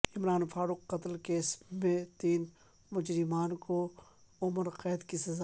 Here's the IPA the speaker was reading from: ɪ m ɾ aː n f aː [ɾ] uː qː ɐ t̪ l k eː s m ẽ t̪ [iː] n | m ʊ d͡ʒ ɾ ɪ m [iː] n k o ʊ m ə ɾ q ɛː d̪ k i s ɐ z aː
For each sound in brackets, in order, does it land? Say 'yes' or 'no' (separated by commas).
yes, yes, no